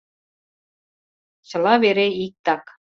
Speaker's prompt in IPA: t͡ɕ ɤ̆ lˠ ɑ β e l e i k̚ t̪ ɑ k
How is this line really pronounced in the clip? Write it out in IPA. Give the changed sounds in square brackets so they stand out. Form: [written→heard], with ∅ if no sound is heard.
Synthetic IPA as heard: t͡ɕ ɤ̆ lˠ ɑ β e [l→ɾ] e i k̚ t̪ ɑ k